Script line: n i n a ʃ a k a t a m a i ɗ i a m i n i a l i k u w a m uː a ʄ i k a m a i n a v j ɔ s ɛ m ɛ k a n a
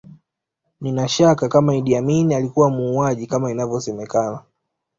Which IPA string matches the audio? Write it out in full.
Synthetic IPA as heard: n i n a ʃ a k a k a m a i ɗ i a m i n i a l i k u w a m uː a ʄ i k a m a i n a v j ɔ s ɛ m ɛ k a n a